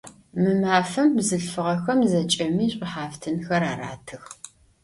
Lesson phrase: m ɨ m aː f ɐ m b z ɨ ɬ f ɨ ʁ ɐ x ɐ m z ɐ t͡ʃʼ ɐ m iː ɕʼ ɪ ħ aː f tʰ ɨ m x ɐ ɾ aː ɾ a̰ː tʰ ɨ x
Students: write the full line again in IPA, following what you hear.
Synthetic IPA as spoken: m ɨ m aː f ɐ m b z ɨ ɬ f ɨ ʁ ɐ x ɐ m z ɐ t͡ʃʼ ɐ m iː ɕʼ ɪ ħ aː f tʰ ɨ n x ɐ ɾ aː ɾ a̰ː tʰ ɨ x